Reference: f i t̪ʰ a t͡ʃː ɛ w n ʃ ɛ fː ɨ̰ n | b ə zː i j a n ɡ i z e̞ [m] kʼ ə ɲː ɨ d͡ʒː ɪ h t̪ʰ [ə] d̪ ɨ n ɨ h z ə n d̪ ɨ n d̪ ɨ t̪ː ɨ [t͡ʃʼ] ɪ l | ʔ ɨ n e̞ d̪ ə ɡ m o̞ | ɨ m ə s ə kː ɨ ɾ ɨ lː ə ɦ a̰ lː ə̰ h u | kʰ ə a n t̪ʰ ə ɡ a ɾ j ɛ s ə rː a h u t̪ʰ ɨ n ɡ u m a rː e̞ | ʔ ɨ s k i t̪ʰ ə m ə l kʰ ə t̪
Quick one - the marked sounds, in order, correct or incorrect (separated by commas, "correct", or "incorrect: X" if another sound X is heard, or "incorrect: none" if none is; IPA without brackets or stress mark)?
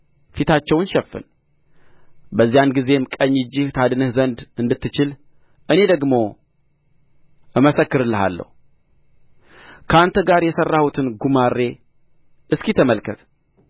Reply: correct, incorrect: a, incorrect: t͡ʃ